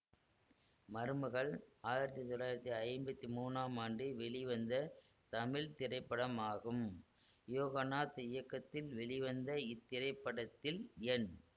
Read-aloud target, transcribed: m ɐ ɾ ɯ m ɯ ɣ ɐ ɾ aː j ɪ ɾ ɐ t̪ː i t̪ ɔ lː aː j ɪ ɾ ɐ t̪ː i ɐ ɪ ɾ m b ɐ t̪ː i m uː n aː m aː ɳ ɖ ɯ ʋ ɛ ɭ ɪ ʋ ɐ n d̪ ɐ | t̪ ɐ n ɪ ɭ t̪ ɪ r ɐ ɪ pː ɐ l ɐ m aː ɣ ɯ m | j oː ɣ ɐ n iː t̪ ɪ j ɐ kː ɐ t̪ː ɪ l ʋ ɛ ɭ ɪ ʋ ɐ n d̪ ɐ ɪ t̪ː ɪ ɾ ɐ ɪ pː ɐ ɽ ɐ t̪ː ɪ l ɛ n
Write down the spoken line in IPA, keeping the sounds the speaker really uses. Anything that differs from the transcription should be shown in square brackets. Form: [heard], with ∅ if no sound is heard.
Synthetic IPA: m ɐ ɾ ɯ m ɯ ɣ ɐ [ɭ] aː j ɪ ɾ ɐ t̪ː i t̪ ɔ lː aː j ɪ ɾ ɐ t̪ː i ɐ ɪ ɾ m b ɐ t̪ː i m uː n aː m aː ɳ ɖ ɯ ʋ ɛ ɭ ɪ ʋ ɐ n d̪ ɐ | t̪ ɐ [m] ɪ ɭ t̪ ɪ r ɐ ɪ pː ɐ [ɽ] ɐ m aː ɣ ɯ m | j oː ɣ ɐ n [aː] t̪ ɪ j ɐ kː ɐ t̪ː ɪ l ʋ ɛ ɭ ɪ ʋ ɐ n d̪ ɐ ɪ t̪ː ɪ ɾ ɐ ɪ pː ɐ ɽ ɐ t̪ː ɪ l ɛ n